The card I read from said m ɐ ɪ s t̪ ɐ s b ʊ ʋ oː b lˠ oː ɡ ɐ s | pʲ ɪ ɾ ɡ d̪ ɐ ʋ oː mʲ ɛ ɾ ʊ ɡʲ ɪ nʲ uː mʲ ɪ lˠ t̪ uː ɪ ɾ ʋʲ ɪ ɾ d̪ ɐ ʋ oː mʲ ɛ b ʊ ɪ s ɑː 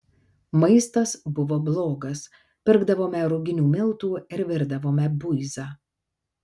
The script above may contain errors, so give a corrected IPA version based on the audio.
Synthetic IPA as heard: m ɐ ɪ s t̪ ɐ s b ʊ ʋ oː b lˠ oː ɡ ɐ s | pʲ ɪ ɾ ɡ d̪ ɐ ʋ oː mʲ ɛ ɾ ʊ ɡʲ ɪ nʲ uː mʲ ɪ lˠ t̪ uː ɪ ɾ ʋʲ ɪ ɾ d̪ ɐ ʋ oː mʲ ɛ b ʊ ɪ z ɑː